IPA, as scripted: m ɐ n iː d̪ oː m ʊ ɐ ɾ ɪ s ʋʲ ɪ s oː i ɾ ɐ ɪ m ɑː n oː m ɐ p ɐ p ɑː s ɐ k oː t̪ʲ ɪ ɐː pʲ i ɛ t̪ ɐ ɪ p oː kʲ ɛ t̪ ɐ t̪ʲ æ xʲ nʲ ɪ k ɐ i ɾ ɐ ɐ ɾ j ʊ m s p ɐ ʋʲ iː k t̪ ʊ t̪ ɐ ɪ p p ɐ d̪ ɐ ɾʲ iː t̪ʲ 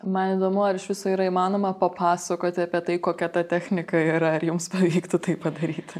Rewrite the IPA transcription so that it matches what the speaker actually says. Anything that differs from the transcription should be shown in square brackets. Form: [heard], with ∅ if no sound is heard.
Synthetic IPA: m ɐ n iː d̪ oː m ʊ ɐ ɾ ɪ [ʃ] ʋʲ ɪ s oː i ɾ ɐ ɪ m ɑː n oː m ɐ p ɐ p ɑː s ɐ k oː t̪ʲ ɪ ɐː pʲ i ɛ t̪ ɐ ɪ [k] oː kʲ ɛ t̪ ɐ t̪ʲ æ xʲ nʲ ɪ k ɐ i ɾ ɐ ɐ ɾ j ʊ m s p ɐ ʋʲ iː k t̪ ʊ t̪ ɐ ɪ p p ɐ d̪ ɐ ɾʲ iː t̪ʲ